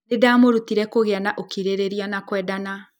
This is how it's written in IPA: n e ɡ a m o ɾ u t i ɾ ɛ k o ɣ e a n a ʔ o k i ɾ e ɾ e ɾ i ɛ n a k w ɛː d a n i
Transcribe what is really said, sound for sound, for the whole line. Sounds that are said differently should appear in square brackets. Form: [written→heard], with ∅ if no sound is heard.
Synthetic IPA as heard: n e [ɡ→d] a m o ɾ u t i ɾ ɛ k o ɣ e a n a ʔ o k i ɾ e ɾ e ɾ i [ɛ→a] n a k w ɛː d a n [i→a]